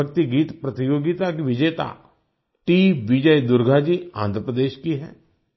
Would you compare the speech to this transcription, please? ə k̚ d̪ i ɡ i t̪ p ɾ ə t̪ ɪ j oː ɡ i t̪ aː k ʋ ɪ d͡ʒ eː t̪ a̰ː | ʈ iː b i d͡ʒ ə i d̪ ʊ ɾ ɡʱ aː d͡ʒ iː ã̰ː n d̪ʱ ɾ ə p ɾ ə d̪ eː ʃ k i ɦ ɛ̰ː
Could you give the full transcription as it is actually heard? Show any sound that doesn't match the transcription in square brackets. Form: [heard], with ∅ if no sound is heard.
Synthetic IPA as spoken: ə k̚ [t̪] i ɡ [iː] t̪ p ɾ ə t̪ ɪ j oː ɡ i t̪ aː k ʋ ɪ d͡ʒ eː t̪ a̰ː | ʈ iː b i d͡ʒ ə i d̪ ʊ ɾ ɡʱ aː d͡ʒ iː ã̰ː n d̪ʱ ɾ ə p ɾ ə d̪ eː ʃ k i ɦ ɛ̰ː